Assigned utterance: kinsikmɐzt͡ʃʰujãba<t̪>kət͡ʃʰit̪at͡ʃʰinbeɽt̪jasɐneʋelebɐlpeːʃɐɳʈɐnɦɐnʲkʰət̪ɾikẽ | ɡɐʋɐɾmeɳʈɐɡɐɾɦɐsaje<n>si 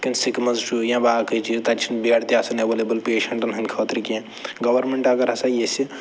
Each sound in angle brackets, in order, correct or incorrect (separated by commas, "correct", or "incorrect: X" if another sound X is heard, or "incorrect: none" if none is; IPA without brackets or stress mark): incorrect: none, incorrect: none